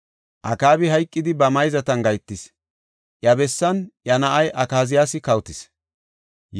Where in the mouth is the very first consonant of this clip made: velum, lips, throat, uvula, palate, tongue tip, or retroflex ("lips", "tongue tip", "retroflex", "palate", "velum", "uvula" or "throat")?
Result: throat